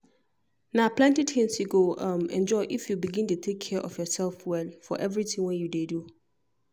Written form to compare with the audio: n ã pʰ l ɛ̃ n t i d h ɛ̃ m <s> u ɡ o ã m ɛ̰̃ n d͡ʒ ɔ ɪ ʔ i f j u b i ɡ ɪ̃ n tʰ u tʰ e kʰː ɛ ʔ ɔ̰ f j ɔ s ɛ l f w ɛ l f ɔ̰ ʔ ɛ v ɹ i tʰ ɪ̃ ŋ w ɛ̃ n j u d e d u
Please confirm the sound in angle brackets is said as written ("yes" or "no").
yes